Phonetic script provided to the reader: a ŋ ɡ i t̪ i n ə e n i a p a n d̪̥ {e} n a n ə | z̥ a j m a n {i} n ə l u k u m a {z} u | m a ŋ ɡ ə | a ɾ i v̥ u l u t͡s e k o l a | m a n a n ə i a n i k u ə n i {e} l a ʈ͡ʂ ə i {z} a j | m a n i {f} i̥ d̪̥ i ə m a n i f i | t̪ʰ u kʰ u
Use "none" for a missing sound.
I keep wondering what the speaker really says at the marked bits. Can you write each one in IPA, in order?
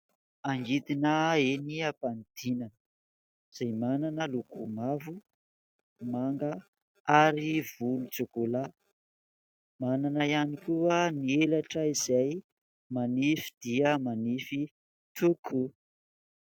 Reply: i, a, v, e, z, f

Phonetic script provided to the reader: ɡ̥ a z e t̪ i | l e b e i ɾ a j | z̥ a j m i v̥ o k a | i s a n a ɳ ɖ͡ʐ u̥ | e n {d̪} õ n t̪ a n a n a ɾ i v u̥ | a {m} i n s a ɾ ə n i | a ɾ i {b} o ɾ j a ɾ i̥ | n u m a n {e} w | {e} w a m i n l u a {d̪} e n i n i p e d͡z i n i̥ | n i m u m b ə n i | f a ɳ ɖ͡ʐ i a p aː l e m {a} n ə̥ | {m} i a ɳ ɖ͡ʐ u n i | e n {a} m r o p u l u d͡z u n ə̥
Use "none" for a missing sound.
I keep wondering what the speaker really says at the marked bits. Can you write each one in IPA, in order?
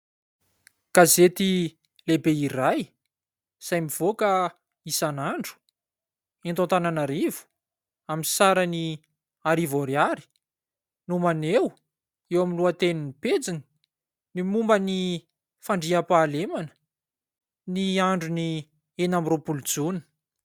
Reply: t̪, m, v, e, e, t̪, a, n, a

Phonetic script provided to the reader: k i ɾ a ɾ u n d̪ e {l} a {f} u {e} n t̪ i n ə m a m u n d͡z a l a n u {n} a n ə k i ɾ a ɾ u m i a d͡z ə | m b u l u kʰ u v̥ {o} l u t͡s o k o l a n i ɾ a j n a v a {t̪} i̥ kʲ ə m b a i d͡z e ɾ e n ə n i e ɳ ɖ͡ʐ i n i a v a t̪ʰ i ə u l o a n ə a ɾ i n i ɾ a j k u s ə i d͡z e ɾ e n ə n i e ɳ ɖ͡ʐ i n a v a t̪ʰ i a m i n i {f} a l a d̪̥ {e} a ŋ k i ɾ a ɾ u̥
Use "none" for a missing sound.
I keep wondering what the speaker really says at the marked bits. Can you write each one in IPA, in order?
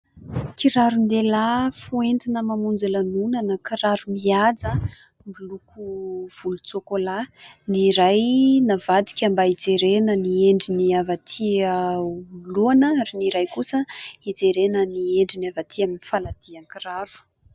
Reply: l, f, e, n, u, d̪, f, i

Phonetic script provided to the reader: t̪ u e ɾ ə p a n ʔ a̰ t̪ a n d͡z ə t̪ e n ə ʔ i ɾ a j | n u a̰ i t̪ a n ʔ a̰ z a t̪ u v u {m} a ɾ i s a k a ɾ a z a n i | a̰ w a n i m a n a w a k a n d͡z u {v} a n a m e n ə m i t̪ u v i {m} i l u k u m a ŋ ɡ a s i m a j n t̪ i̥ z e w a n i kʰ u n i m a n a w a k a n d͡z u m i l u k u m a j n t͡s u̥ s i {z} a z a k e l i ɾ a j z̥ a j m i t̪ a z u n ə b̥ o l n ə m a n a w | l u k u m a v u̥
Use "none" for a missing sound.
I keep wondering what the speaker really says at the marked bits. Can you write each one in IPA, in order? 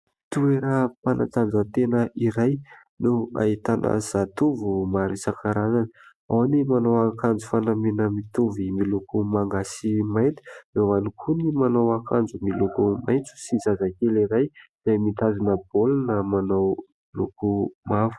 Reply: m, f, m, z

